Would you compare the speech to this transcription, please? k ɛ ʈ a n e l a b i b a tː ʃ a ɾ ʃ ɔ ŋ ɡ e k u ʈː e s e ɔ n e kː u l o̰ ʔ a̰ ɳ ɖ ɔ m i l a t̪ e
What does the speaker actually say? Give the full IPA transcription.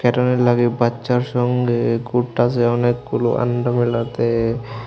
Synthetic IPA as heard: k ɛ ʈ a n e l a ɡ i b a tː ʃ a ɾ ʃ ɔ ŋ ɡ e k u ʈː a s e ɔ n e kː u l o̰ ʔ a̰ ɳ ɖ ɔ m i l a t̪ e